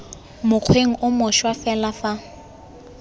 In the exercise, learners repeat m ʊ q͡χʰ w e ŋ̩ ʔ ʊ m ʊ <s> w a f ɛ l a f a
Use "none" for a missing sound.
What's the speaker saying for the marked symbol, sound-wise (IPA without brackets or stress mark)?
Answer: ʃ